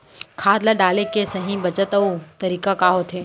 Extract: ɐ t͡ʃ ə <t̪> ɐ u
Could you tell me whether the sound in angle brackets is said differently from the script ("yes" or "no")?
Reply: no